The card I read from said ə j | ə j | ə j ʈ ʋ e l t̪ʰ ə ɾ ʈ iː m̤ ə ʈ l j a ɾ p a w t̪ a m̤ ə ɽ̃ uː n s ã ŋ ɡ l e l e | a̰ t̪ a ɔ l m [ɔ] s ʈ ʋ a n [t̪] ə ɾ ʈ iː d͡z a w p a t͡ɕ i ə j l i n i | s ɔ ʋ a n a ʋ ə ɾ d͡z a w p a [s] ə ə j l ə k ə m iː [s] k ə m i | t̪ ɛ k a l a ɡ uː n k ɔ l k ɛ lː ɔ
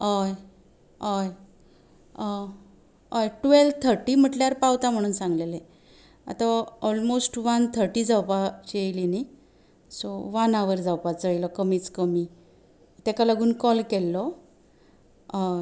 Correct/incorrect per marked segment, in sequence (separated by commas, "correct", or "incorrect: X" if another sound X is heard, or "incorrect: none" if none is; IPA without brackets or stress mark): incorrect: o, incorrect: t̪ʰ, incorrect: t͡s, incorrect: t͡s